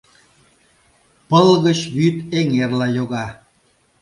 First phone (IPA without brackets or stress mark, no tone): p